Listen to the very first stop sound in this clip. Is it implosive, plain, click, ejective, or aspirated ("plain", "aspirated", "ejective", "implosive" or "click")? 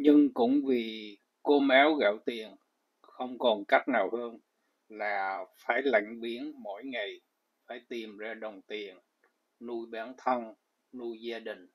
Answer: plain